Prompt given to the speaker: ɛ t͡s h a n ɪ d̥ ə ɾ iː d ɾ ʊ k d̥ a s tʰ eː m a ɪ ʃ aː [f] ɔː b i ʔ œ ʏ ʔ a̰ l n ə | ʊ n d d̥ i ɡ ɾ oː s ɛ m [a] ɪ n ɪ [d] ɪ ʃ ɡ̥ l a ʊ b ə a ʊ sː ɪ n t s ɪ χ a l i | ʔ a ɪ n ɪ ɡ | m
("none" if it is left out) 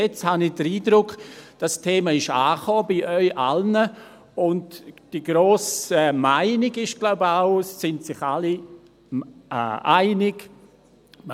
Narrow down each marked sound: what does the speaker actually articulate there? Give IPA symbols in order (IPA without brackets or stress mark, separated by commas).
χ, a, ɡ